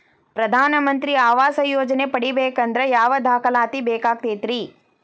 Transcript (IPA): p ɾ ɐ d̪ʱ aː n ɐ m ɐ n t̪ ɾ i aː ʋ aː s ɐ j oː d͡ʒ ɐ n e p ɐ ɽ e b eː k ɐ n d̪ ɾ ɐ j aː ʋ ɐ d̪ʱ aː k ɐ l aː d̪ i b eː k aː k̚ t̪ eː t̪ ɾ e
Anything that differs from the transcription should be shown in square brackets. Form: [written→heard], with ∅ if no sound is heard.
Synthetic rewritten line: p ɾ ɐ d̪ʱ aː n ɐ m ɐ n t̪ ɾ i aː ʋ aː s ɐ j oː d͡ʒ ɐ n e p ɐ ɽ [e→i] b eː k ɐ n d̪ ɾ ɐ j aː ʋ ɐ d̪ʱ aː k ɐ l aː [d̪→t̪] i b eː k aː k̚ t̪ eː t̪ ɾ [e→i]